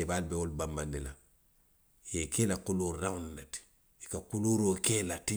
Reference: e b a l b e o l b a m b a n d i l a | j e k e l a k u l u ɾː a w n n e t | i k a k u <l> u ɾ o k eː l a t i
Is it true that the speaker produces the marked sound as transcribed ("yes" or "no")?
yes